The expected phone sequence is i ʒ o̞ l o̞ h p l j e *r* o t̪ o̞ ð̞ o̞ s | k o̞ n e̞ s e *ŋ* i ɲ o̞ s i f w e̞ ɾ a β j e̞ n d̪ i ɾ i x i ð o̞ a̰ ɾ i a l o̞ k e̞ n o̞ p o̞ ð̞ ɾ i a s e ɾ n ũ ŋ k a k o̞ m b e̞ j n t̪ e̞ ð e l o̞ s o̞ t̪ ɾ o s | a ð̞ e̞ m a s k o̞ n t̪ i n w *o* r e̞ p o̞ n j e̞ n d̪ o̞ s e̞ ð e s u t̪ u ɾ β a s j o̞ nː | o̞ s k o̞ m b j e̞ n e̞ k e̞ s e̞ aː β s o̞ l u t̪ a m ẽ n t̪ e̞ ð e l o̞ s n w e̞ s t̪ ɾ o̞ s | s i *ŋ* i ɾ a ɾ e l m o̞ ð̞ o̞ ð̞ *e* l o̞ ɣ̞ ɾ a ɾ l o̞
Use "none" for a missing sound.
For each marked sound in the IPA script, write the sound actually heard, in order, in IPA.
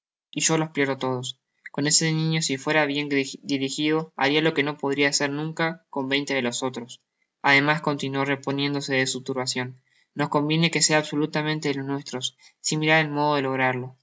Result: ɾ, n, o, m, e

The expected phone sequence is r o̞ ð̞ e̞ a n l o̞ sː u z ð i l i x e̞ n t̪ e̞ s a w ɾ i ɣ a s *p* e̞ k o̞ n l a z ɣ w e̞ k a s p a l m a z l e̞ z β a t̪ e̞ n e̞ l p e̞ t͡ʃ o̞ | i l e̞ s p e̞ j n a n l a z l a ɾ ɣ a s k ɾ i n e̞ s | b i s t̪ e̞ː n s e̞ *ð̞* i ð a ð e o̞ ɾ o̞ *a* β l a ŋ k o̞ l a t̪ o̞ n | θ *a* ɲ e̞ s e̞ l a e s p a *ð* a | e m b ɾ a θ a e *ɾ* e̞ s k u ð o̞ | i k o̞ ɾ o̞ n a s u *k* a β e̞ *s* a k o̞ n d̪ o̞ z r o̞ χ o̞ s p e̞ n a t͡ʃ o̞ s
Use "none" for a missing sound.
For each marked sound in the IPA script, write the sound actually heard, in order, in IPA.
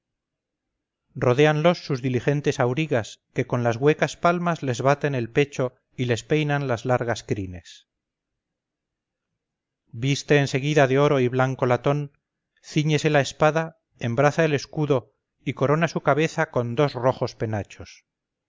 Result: k, ɣ̞, i, i, ð, l, k, θ

